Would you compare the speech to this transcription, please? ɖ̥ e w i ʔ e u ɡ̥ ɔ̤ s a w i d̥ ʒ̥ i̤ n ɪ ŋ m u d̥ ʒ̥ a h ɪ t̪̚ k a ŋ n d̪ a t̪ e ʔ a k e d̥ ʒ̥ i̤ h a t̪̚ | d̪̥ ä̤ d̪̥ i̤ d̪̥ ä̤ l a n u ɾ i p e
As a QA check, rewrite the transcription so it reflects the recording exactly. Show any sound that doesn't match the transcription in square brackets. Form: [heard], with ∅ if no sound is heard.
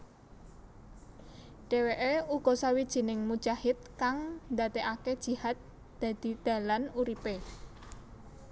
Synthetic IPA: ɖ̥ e w [e] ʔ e u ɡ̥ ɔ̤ s a w i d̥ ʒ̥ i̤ n ɪ ŋ m u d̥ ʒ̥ a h ɪ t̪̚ k a ŋ n d̪ a t̪ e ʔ a k e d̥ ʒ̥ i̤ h a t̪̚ | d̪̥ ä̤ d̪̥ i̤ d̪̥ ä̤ l a n u ɾ i p e